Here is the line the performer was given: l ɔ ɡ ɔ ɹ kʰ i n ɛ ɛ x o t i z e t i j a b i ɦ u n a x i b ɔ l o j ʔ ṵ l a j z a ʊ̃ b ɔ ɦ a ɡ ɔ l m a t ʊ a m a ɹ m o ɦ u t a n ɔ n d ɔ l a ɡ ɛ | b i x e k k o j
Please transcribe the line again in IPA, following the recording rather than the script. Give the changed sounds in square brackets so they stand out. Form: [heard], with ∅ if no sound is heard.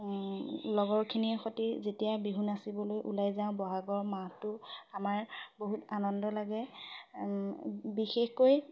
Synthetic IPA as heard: l ɔ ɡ ɔ ɹ kʰ i n [i] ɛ x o t i z e t i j a b i ɦ u n a [s] i b ɔ l o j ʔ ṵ l a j z a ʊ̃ b ɔ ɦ a ɡ ɔ [ɹ] m a t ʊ a m a ɹ [b] o ɦ u t a n ɔ n d ɔ l a ɡ ɛ | b i x e [x] k o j